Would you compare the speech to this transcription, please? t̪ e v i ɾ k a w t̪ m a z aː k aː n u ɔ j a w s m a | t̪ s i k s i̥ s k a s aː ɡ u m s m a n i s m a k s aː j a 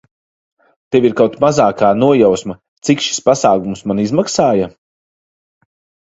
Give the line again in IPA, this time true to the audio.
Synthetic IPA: t̪ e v i ɾ k a w t̪ m a z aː k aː n u ɔ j a w s m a | t̪ s i k ʃ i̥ s p a s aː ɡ u m s m a n i z m a k s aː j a